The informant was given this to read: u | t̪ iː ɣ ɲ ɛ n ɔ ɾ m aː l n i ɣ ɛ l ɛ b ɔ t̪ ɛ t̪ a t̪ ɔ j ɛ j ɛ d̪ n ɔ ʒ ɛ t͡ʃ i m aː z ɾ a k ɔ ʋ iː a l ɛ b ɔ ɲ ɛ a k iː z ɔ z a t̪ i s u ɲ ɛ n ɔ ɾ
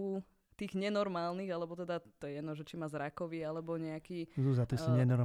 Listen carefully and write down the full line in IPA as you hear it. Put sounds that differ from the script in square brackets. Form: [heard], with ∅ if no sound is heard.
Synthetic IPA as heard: u | t̪ iː ɣ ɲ ɛ n ɔ ɾ m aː l n i ɣ [a] l ɛ b ɔ t̪ ɛ [d̪] a t̪ ɔ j ɛ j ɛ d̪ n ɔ ʒ ɛ t͡ʃ i m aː z ɾ a k ɔ ʋ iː a l ɛ b ɔ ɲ ɛ a k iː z [u] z a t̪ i s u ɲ ɛ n ɔ ɾ